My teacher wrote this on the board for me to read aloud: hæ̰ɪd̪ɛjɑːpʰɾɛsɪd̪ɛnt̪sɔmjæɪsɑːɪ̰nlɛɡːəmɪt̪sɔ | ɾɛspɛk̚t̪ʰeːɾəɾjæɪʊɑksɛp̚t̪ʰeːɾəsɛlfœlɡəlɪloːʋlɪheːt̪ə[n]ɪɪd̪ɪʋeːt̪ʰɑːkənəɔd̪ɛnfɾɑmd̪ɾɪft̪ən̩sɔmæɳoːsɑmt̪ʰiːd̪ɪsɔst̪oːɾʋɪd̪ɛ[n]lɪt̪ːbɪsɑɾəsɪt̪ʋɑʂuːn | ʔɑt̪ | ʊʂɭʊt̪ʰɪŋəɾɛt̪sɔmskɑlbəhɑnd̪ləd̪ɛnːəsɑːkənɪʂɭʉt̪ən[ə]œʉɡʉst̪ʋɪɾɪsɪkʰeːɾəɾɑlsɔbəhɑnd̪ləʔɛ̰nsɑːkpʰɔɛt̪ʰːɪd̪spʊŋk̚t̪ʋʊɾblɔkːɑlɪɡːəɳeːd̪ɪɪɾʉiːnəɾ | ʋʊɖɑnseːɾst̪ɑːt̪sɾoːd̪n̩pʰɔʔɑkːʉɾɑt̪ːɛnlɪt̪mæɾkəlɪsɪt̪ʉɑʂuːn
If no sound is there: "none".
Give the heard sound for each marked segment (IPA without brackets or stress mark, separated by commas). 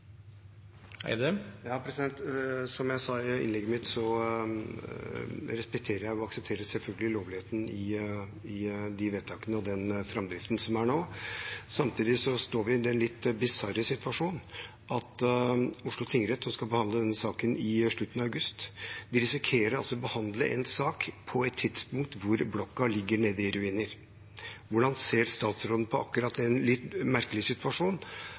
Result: n, n, ɑ